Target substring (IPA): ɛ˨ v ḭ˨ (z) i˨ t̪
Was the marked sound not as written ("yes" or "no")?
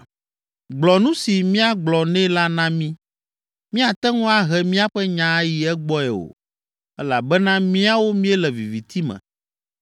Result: yes